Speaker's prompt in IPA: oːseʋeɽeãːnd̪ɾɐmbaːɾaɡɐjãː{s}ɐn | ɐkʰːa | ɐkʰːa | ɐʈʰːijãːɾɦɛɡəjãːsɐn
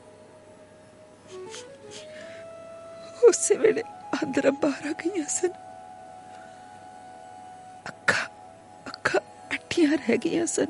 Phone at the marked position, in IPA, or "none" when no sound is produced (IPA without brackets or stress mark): s